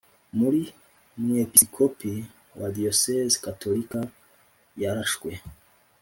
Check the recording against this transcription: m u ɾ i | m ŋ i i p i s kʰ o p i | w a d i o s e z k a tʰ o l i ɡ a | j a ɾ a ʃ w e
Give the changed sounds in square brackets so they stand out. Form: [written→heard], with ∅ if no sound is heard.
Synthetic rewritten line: m u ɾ i | m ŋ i [i→e] p i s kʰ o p i | w a d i o s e z k a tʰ o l i [ɡ→k] a | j a ɾ a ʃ w e